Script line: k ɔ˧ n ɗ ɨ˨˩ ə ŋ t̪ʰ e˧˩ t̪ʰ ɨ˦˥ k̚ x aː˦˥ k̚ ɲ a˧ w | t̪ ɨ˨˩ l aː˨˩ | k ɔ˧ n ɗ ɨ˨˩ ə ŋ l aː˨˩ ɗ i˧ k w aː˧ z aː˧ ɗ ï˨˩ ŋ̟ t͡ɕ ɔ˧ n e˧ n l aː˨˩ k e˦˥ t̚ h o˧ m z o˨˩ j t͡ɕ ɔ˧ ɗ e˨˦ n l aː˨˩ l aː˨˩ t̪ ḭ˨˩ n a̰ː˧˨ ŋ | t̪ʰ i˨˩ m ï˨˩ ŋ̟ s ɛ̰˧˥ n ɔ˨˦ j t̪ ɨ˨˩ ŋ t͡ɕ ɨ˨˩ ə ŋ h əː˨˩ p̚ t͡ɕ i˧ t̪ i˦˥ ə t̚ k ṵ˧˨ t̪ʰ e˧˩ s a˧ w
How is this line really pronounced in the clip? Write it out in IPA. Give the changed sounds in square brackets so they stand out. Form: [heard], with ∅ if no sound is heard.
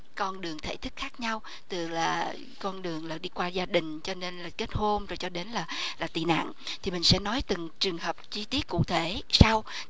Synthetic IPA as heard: k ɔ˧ n ɗ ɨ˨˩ ə ŋ t̪ʰ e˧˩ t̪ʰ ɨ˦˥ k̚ x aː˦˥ k̚ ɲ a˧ w | t̪ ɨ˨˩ l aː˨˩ | k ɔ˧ n ɗ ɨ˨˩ ə ŋ l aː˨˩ ɗ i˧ k w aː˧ z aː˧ ɗ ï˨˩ ŋ̟ t͡ɕ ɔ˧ n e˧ n l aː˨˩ k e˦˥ t̚ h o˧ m z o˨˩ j t͡ɕ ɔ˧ ɗ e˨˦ n l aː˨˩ l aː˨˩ t̪ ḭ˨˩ n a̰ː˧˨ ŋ | t̪ʰ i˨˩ m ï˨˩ ŋ̟ s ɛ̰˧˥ n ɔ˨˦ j t̪ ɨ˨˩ ŋ t͡ɕ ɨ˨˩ ə ŋ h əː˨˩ p̚ t͡ɕ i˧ t̪ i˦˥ ə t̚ k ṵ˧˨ t̪ʰ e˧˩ s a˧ w